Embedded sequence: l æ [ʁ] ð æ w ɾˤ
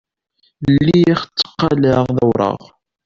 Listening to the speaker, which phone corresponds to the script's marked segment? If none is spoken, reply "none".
ʁ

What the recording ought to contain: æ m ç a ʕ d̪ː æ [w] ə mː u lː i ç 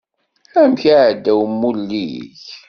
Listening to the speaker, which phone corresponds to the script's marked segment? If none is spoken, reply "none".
w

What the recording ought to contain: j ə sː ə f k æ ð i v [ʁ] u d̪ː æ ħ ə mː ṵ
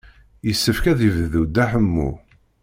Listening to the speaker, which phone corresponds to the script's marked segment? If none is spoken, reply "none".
ð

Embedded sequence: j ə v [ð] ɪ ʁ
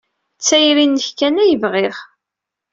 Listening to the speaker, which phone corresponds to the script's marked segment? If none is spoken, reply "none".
ʁ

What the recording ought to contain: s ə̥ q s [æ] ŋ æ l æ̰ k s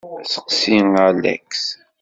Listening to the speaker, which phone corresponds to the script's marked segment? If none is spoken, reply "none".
i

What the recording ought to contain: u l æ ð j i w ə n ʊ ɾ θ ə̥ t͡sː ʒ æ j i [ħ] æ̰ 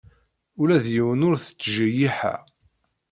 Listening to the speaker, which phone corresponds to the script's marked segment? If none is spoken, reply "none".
ħ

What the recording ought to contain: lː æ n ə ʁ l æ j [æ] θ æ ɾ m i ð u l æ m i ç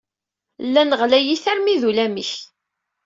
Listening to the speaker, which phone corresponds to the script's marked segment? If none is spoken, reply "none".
i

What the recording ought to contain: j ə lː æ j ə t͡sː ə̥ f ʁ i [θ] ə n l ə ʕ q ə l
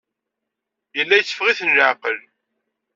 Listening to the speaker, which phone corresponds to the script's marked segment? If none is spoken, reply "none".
θ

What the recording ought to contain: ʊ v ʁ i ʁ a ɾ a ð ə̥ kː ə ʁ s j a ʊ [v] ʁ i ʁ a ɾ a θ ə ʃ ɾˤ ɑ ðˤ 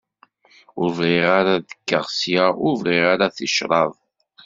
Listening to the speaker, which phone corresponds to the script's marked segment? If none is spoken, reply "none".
v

